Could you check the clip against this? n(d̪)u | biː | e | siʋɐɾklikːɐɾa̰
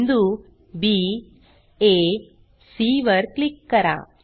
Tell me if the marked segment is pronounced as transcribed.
yes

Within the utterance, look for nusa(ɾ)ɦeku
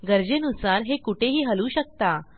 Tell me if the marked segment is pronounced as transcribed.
yes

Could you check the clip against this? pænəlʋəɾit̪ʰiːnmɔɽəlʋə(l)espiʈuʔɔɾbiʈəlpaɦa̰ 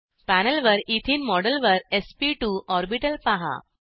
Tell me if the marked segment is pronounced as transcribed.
no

